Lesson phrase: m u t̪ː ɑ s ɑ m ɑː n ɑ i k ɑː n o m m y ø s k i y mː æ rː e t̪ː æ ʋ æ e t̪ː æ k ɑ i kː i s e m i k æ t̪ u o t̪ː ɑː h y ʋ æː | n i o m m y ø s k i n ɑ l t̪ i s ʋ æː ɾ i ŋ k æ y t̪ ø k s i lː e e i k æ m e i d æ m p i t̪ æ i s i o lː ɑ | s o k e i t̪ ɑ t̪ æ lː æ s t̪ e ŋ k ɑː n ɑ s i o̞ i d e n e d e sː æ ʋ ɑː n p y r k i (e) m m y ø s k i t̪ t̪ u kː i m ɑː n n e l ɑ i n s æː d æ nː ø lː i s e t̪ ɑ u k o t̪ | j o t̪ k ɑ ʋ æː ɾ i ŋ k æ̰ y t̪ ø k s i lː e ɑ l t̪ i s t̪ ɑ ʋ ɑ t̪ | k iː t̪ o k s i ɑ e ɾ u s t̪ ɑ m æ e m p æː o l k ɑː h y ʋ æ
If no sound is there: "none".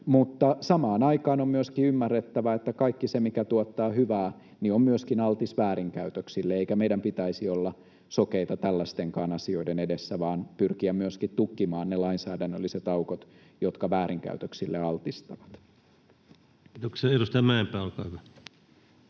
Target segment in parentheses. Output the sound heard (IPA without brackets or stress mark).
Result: æ